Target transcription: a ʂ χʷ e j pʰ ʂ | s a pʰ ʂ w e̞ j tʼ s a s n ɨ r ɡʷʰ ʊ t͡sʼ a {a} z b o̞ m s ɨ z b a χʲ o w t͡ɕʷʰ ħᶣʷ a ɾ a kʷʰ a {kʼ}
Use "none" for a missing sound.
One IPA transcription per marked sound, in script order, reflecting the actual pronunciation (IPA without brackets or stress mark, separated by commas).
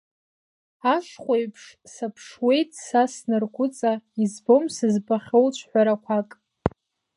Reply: i, kʼ